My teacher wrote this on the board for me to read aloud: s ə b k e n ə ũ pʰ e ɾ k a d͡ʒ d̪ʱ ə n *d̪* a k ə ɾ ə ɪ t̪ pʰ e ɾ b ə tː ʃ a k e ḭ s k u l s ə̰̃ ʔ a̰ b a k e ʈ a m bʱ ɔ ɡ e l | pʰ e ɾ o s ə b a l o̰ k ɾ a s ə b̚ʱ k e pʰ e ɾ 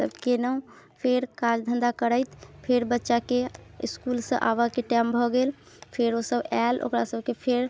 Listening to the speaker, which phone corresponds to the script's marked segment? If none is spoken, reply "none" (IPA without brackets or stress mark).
d̪